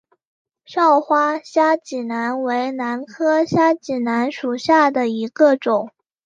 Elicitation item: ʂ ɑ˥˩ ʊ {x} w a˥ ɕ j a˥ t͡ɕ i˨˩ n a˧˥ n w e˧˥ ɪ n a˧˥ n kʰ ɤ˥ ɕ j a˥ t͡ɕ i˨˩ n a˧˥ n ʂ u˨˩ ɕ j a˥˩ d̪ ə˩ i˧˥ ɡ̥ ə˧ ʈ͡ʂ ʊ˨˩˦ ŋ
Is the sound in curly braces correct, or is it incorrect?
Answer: correct